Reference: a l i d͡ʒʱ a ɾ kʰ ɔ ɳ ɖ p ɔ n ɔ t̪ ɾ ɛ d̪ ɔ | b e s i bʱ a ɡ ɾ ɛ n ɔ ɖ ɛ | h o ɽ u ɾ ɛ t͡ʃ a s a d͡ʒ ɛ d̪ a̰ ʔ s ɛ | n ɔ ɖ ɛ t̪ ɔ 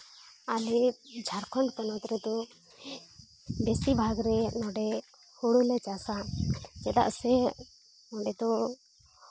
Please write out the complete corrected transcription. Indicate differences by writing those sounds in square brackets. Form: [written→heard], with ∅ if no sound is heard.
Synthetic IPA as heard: a l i d͡ʒʱ a ɾ kʰ ɔ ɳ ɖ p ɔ n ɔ t̪ ɾ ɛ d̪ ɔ | b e s i bʱ a ɡ ɾ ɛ n ɔ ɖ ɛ | h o ɽ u [ɾ→l] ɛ t͡ʃ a s a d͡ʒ ɛ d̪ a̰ ʔ s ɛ | n ɔ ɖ ɛ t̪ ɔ